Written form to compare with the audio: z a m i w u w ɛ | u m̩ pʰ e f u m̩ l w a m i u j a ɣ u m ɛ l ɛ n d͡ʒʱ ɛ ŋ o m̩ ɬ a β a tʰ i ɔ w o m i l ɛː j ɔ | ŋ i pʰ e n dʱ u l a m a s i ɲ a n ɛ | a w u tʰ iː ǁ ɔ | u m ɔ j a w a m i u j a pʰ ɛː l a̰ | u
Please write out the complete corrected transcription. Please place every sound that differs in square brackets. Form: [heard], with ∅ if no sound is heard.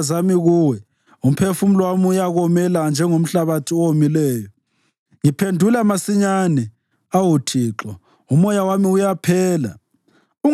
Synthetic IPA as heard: z a m i [ɣ] u w ɛ | u m̩ pʰ e f u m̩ l w a m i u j a ɣ [ɔ] m ɛ l [a] n d͡ʒʱ ɛ ŋ o m̩ ɬ a β a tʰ i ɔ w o m i l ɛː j ɔ | ŋ i pʰ e n dʱ u l a m a s i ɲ a n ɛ | a w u tʰ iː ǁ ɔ | u m ɔ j a w a m i u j a pʰ ɛː l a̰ | u